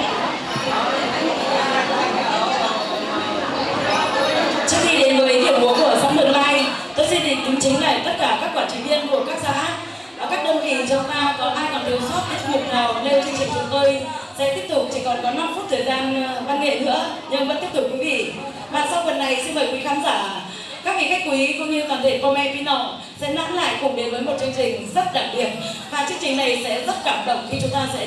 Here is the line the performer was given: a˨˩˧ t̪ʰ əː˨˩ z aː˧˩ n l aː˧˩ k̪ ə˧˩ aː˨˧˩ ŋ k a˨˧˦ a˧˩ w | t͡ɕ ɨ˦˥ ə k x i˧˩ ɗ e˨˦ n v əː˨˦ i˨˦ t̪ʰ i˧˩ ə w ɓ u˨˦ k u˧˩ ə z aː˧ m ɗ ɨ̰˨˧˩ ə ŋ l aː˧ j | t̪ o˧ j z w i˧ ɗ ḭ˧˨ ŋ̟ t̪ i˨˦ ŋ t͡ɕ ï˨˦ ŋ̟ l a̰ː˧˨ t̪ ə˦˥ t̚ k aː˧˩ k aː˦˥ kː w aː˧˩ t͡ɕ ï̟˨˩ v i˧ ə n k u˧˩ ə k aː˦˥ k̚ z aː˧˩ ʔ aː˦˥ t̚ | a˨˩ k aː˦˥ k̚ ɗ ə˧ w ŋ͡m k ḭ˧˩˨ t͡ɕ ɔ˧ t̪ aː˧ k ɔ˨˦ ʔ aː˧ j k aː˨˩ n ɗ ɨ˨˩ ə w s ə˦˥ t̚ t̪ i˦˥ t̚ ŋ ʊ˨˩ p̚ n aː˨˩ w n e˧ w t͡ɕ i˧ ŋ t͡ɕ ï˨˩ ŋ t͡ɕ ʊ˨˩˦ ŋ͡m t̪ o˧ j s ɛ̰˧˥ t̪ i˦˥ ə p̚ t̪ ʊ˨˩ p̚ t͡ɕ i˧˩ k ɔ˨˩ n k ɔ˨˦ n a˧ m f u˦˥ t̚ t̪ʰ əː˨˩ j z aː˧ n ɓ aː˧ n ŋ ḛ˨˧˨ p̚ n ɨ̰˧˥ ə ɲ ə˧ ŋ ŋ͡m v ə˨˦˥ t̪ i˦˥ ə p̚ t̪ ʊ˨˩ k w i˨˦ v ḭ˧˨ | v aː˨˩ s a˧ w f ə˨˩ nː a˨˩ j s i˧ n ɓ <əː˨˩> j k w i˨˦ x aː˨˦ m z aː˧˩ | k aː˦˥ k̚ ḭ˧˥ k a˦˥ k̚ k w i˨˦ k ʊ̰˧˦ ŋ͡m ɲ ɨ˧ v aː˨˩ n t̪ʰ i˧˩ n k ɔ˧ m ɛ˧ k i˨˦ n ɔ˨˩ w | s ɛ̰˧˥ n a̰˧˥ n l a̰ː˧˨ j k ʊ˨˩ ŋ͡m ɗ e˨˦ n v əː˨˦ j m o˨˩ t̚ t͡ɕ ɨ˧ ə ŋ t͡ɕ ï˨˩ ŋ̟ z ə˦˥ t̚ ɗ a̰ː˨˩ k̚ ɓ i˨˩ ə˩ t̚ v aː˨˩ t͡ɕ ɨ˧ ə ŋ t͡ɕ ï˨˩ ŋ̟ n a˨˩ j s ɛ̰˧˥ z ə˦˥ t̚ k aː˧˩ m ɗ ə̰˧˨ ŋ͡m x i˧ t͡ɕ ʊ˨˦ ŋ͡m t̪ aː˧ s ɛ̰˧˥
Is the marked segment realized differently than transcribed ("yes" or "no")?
no